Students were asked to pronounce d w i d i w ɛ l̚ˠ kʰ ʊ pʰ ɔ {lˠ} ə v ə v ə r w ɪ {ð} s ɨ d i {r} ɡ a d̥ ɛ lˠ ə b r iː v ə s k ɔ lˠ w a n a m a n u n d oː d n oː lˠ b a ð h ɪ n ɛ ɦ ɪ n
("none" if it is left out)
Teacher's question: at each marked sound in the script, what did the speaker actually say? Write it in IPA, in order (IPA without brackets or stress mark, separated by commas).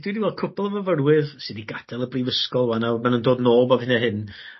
lˠ, ð, none